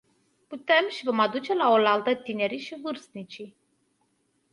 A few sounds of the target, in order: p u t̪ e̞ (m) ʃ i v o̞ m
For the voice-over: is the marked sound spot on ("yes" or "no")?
yes